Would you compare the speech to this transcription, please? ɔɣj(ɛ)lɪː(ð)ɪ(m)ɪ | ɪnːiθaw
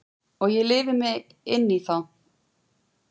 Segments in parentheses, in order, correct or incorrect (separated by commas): correct, incorrect, correct